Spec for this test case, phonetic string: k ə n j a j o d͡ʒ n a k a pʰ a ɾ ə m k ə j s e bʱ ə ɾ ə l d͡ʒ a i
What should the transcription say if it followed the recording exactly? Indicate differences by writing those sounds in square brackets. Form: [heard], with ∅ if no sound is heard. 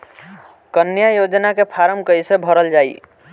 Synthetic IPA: k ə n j a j o d͡ʒ n a k [e] pʰ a ɾ ə m k ə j s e bʱ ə ɾ ə l d͡ʒ a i